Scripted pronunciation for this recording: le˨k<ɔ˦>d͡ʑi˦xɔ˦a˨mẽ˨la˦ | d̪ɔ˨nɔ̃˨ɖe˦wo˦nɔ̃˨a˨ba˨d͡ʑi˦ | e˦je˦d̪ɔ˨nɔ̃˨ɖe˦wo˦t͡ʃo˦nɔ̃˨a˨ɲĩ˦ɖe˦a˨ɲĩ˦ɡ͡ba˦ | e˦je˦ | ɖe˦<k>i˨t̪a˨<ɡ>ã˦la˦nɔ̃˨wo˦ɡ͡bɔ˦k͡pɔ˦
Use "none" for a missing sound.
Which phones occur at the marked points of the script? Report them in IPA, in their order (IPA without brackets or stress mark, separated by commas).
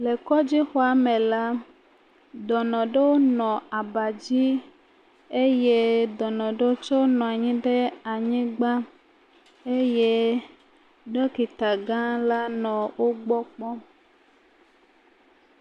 ɔ˦, k, ɡ